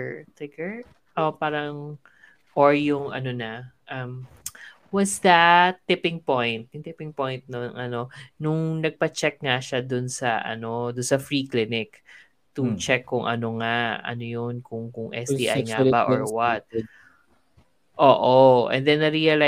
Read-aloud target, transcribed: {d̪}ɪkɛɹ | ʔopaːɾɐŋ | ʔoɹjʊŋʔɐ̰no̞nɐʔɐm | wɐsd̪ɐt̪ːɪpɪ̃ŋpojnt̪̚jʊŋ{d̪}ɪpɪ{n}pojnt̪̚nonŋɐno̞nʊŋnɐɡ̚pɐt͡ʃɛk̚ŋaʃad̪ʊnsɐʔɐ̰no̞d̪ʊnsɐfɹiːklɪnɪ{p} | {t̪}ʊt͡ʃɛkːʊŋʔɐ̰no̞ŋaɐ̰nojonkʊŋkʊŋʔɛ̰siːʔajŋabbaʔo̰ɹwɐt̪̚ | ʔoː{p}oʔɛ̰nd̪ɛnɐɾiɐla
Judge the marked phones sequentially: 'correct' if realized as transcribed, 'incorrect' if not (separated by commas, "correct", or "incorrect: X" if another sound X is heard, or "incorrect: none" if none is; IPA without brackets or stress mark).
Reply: incorrect: t̪, incorrect: t̪, incorrect: ŋ, incorrect: k, correct, incorrect: ʔ